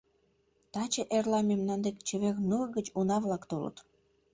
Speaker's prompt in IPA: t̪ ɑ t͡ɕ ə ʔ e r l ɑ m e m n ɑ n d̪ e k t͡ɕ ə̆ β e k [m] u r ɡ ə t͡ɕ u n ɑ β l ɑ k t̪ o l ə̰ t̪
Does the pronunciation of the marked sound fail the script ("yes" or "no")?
yes